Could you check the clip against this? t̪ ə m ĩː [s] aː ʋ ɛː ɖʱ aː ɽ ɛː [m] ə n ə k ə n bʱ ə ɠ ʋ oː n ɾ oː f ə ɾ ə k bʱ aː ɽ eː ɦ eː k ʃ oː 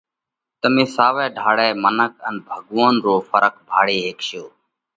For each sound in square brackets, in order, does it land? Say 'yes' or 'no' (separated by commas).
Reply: yes, yes